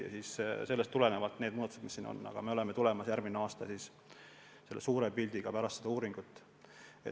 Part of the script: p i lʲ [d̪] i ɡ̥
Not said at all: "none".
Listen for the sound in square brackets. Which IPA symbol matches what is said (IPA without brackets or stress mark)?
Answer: d̪